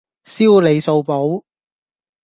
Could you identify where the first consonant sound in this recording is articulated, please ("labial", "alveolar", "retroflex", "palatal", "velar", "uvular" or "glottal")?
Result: alveolar